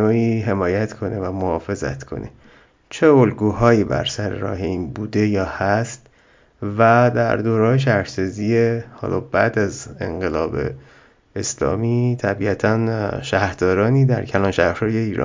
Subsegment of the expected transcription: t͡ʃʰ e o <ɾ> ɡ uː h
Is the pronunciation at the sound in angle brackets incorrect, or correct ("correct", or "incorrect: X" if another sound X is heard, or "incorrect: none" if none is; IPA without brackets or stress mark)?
incorrect: l